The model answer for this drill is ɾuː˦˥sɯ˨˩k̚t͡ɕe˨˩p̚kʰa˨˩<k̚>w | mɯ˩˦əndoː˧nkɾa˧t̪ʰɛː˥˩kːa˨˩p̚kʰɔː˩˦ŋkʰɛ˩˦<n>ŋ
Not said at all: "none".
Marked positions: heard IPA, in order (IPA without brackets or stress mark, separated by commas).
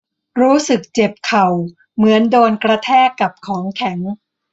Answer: none, none